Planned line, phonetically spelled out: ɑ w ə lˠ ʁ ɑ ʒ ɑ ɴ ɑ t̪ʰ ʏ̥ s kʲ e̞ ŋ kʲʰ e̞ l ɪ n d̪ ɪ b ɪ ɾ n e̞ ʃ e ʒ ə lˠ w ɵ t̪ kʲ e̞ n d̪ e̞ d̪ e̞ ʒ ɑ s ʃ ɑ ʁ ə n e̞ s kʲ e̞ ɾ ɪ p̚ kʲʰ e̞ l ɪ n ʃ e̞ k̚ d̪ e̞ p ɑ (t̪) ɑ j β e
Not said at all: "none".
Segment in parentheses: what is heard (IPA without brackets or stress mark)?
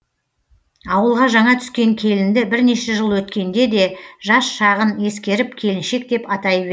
t̪